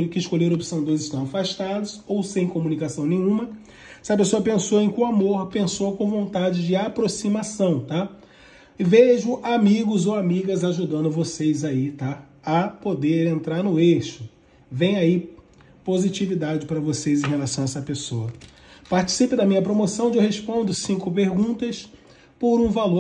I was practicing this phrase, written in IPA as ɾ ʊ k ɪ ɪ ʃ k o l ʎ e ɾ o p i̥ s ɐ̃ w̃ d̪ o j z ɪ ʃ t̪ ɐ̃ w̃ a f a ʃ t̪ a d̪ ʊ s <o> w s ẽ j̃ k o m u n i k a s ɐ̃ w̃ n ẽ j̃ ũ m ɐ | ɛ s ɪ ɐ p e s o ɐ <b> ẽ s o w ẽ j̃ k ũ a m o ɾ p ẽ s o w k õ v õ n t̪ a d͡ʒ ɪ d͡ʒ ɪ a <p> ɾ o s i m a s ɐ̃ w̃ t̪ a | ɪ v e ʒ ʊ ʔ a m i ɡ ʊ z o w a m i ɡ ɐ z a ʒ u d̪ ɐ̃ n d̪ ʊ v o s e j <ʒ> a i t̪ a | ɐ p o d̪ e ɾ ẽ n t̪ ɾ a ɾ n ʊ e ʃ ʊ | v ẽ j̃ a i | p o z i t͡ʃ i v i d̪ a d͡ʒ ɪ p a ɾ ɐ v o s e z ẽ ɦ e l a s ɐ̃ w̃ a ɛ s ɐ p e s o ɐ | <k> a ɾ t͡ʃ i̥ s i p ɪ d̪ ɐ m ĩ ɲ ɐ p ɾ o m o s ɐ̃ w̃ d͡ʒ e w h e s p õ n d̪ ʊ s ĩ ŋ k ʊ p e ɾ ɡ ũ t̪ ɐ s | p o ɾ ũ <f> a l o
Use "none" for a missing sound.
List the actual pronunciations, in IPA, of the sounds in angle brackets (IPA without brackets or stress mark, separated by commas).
o, p, p, z, p, v